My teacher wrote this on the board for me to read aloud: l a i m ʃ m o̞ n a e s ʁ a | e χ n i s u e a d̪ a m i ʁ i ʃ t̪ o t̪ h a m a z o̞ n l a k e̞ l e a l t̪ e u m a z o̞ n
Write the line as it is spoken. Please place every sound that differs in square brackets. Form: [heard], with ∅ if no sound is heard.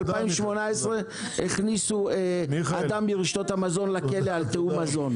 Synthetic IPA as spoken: l a i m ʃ m o̞ n a e s ʁ [e] | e χ n i s u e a d̪ a m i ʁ i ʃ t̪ o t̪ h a m a z o̞ n l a k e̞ l e a l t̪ e u m a z o̞ n